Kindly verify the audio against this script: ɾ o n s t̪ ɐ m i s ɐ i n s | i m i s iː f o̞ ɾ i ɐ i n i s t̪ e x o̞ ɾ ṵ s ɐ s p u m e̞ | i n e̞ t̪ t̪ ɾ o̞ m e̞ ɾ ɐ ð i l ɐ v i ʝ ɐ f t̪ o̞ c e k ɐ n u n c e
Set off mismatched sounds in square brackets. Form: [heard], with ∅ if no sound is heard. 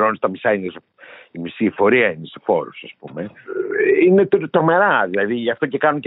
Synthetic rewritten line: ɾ o n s t̪ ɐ m i s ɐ i n s | i m i s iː f o̞ ɾ i ɐ i n [e] s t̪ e [f] o̞ ɾ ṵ s ɐ s p u m e̞ | i n e̞ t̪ t̪ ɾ o̞ m e̞ ɾ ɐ ð i l ɐ [ð] i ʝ ɐ f t̪ o̞ c e k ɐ n u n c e